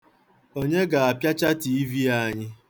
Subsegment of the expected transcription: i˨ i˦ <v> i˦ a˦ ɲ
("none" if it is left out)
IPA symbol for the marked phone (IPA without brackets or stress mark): v